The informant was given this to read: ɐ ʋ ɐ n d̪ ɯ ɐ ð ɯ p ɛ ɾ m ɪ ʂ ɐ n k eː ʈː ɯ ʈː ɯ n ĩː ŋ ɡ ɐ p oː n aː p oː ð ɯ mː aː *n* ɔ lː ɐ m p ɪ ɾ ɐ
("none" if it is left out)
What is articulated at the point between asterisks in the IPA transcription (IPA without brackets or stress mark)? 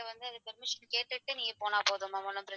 m